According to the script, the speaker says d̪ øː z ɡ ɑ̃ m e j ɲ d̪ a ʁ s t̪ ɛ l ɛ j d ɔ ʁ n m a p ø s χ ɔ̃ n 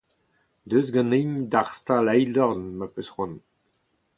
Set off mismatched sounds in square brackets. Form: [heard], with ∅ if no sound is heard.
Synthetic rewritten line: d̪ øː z ɡ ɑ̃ [n] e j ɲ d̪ a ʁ s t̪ [a] l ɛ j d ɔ ʁ n m a p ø s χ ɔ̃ n

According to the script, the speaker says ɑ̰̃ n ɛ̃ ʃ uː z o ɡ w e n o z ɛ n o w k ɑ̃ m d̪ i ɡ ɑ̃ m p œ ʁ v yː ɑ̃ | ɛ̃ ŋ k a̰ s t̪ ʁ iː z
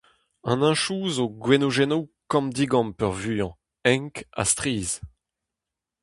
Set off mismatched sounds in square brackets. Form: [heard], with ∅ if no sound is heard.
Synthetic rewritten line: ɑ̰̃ n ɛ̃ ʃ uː z o ɡ w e n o [ʒ] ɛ n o w k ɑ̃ m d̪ i ɡ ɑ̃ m p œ ʁ v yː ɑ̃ | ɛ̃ ŋ k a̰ s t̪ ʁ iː z

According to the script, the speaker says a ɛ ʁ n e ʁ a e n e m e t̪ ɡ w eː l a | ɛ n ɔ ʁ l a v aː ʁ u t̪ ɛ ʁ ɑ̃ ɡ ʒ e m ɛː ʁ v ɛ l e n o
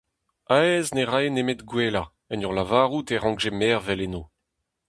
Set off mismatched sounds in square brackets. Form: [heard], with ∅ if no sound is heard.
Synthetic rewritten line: a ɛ [z] n e ʁ a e n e m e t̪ ɡ w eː l a | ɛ n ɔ ʁ l a v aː ʁ u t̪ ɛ ʁ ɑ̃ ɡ ʒ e m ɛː ʁ v ɛ l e n o

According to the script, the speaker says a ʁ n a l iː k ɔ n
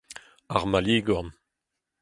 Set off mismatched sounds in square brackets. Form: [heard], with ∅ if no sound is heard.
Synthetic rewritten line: a ʁ [m] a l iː [ɡ] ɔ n

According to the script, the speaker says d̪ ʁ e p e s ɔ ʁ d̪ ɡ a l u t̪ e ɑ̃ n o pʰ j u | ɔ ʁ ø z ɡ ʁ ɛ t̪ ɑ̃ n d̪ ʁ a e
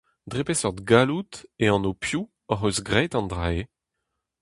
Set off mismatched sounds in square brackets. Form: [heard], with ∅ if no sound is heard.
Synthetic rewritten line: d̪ ʁ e p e s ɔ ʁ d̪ ɡ a l u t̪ e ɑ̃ n o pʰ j u | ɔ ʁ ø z ɡ ʁ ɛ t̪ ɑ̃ n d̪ ʁ a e

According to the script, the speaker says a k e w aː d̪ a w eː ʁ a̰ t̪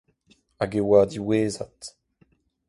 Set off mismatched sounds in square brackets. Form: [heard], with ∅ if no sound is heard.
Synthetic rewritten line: a [ɡ] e w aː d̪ [i] w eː [z] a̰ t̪

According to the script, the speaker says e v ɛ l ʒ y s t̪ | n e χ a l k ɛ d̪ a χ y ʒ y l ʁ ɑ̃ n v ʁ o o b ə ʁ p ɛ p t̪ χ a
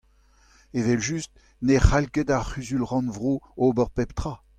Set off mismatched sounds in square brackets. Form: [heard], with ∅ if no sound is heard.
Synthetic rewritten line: e v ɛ l ʒ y s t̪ | n e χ a l k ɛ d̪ a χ y [z] y l ʁ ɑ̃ n v ʁ o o b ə ʁ p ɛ p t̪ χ a

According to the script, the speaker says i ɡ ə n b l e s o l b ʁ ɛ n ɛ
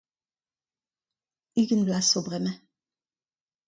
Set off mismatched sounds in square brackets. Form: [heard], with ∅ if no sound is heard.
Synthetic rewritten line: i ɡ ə n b l [a] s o [∅] b ʁ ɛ [m] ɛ

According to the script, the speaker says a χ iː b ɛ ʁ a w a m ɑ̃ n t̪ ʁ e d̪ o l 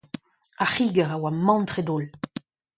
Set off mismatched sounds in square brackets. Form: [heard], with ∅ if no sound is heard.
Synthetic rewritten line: a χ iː [ɡ] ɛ ʁ a w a m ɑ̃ n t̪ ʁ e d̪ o l

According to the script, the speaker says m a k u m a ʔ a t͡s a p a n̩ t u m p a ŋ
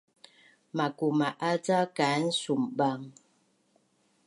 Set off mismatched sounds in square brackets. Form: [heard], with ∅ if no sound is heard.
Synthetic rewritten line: m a k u m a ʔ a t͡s a [k] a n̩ [s] u m [b] a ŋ

